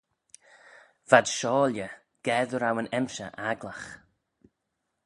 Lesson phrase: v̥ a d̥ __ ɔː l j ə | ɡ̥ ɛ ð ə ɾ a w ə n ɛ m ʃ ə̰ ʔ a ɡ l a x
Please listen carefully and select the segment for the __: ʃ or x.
ʃ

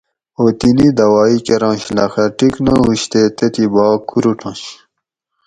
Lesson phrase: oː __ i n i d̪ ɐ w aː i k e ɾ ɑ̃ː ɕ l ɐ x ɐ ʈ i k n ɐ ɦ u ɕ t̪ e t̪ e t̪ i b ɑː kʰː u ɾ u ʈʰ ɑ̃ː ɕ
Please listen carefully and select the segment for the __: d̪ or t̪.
t̪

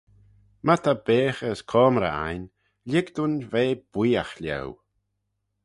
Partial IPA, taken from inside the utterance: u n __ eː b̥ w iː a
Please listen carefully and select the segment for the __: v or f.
v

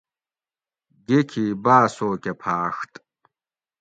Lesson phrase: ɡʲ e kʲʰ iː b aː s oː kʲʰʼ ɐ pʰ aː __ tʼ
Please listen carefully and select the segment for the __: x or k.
x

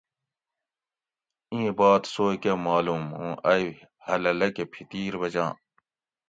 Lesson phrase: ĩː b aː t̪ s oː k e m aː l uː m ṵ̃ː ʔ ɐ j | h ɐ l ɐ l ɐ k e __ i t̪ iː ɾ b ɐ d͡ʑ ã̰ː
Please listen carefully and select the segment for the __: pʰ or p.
pʰ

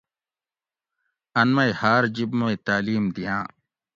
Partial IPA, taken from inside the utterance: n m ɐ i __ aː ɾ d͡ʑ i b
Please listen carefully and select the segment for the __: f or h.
h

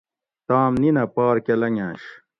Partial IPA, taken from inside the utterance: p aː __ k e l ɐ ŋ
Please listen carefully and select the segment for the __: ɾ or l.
ɾ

